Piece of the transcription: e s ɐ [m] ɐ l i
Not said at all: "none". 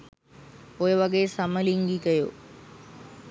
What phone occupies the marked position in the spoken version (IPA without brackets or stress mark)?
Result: m